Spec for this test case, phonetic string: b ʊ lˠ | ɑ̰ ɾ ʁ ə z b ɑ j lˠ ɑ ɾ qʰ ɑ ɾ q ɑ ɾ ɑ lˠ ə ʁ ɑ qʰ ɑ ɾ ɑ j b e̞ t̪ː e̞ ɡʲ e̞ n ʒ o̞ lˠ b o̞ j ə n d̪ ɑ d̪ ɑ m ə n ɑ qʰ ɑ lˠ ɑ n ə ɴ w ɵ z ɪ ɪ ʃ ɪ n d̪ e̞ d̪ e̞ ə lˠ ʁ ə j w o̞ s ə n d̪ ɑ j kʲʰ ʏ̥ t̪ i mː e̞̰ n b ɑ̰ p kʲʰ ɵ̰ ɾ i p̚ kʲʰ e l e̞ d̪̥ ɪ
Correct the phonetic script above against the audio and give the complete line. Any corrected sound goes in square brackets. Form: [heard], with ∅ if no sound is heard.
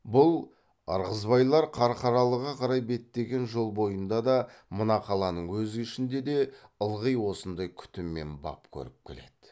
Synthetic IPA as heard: b ʊ lˠ | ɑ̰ ɾ ʁ ə z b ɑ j lˠ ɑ ɾ qʰ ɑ ɾ q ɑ ɾ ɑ lˠ ə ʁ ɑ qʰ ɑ ɾ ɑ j b e̞ t̪ː e̞ ɡʲ e̞ n ʒ o̞ lˠ b o̞ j ə n d̪ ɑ d̪ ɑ m ə n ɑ qʰ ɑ lˠ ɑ n ə ɴ w ɵ z ɪ ɪ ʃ ɪ n d̪ e̞ d̪ e̞ ə lˠ ʁ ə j w o̞ s ə n d̪ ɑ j kʲʰ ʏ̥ t̪ [ɪ] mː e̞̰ n b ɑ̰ p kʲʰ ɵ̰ ɾ [ɪ] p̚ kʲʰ e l e̞ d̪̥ ɪ